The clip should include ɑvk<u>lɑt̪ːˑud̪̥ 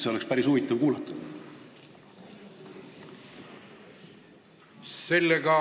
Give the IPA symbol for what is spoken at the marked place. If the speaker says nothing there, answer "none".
uː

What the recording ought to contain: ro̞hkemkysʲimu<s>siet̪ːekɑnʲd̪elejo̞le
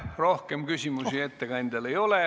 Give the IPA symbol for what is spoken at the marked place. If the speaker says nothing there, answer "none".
s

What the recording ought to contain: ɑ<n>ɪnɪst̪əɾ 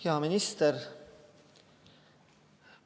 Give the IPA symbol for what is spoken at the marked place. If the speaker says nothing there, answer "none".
m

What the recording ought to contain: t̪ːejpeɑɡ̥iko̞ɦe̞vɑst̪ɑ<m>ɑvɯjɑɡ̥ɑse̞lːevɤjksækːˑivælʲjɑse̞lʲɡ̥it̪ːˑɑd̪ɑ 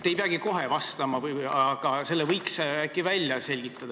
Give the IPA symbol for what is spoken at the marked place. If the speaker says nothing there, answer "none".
m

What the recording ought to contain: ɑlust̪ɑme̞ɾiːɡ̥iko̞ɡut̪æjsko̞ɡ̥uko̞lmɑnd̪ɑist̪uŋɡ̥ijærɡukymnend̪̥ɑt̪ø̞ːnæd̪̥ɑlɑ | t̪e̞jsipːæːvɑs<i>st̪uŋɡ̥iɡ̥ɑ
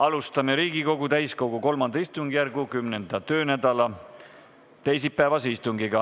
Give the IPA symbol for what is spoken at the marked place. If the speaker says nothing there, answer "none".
i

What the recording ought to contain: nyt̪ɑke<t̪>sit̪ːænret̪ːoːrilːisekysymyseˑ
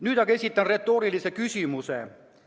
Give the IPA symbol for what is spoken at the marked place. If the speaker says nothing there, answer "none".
none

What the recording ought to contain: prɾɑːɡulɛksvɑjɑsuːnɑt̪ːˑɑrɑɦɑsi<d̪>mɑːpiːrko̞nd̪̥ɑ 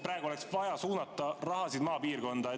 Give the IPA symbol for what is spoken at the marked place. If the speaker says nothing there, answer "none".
d̪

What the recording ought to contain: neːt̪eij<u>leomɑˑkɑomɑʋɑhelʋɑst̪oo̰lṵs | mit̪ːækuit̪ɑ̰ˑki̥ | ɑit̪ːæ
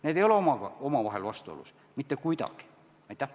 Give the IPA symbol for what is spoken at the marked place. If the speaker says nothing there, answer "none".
o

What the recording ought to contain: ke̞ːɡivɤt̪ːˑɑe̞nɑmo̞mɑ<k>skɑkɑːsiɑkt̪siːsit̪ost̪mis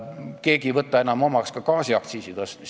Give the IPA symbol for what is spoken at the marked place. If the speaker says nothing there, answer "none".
k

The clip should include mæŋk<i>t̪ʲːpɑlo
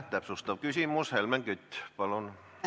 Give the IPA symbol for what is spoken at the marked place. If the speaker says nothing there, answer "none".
y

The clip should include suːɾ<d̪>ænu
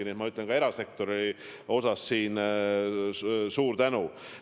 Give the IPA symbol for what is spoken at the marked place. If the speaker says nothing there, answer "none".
t̪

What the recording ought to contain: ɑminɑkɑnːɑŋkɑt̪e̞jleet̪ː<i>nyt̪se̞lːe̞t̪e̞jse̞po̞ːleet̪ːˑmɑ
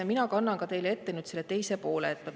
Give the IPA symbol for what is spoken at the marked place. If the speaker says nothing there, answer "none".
e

